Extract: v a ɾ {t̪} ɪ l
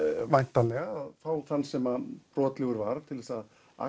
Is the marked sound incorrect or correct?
incorrect